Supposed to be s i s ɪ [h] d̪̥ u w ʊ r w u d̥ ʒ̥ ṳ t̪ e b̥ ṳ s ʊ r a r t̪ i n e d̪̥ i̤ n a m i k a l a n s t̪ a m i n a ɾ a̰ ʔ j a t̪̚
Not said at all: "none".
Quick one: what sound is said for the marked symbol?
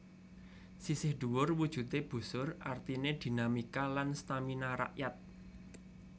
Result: h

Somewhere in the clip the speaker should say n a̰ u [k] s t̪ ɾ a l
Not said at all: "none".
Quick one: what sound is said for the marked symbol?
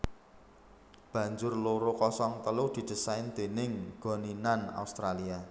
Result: none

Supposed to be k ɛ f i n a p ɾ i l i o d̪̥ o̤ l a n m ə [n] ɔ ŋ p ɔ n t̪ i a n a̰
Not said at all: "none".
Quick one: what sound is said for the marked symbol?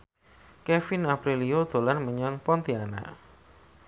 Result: ɲ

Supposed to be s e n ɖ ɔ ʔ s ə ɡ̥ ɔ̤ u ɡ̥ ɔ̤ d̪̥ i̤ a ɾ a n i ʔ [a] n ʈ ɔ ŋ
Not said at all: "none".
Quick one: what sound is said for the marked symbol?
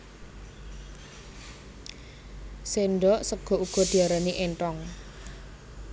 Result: e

